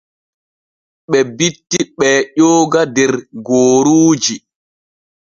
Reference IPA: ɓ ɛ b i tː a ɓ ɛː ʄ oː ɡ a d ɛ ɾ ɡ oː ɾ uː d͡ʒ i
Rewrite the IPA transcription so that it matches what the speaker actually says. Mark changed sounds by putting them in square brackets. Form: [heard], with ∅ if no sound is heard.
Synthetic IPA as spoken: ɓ ɛ b i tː [i] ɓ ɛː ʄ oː ɡ a d ɛ ɾ ɡ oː ɾ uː d͡ʒ i

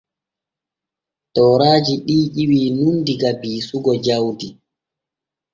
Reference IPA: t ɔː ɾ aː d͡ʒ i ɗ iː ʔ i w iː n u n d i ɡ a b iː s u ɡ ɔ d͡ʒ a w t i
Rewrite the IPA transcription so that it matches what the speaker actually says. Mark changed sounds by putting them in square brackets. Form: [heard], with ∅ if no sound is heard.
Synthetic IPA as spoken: t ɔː ɾ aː d͡ʒ i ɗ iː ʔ i w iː n u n d i ɡ a b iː s u ɡ ɔ d͡ʒ a w [d] i

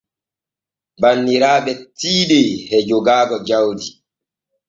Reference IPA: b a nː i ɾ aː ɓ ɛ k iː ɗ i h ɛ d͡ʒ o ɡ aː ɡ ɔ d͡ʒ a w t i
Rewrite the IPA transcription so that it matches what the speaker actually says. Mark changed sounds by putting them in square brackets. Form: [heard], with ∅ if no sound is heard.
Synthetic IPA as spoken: b a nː i ɾ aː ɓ ɛ [t] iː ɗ [e] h ɛ d͡ʒ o ɡ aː ɡ ɔ d͡ʒ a w [d] i

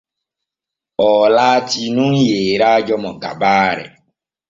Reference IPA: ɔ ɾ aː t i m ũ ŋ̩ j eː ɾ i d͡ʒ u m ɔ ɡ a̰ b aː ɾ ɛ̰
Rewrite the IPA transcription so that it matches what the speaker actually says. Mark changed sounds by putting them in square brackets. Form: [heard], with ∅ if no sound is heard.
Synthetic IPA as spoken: ɔ [l] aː t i [n] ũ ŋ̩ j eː ɾ [a] d͡ʒ [ɔ] m ɔ ɡ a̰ b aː ɾ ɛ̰

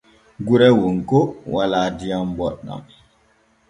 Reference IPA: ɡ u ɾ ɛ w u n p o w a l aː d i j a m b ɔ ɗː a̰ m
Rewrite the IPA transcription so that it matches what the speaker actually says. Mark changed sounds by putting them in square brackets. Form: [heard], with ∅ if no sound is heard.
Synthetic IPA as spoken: ɡ u ɾ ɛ w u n [k] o w a l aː d i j a m b ɔ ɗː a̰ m

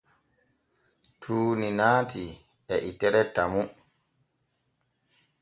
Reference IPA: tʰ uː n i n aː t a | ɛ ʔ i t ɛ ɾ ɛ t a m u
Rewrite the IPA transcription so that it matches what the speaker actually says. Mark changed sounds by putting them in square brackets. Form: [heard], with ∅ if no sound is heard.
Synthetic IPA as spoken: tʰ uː n i n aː t [i] | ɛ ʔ i t ɛ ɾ ɛ t a m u

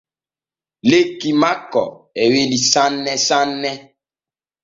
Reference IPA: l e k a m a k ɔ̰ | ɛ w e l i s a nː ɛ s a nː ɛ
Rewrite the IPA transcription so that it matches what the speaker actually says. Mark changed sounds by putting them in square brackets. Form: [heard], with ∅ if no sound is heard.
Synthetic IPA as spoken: l e k [i] m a k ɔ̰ | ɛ w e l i s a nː ɛ s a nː ɛ

